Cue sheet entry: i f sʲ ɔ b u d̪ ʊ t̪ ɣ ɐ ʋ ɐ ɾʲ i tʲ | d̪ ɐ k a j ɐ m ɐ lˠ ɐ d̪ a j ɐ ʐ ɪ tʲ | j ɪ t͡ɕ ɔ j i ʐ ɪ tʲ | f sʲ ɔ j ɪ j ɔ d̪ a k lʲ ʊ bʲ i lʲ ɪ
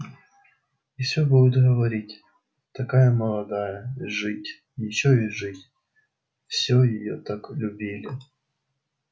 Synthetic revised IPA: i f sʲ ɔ b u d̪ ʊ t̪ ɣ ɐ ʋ ɐ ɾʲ i tʲ | t̪ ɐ k a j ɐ m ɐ lˠ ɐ d̪ a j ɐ ʐ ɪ tʲ | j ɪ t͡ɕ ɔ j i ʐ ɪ tʲ | f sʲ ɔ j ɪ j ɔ t̪ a k lʲ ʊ bʲ i lʲ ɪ